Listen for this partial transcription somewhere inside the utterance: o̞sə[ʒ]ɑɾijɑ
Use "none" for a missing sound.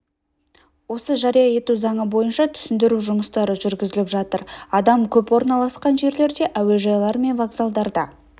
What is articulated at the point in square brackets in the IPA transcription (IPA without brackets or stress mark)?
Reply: ʒ